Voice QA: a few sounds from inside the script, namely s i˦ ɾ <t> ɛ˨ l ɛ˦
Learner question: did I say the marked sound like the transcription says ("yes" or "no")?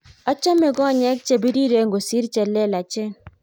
no